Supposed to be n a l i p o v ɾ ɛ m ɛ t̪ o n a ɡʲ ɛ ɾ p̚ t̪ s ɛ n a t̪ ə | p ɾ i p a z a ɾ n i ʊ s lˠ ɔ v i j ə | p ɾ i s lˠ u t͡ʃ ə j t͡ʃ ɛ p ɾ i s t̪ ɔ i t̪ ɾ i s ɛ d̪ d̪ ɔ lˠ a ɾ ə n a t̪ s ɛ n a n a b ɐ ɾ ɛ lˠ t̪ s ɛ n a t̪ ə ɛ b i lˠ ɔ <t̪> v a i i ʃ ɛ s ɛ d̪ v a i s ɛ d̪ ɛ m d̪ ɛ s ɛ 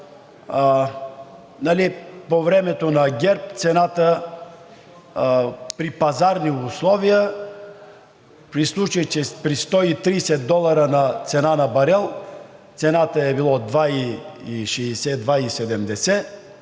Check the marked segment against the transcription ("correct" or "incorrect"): incorrect